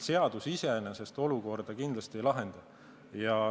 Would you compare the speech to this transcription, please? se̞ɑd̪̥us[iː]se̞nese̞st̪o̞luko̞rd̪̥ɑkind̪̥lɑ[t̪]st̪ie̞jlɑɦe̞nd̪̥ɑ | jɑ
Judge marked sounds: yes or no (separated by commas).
no, no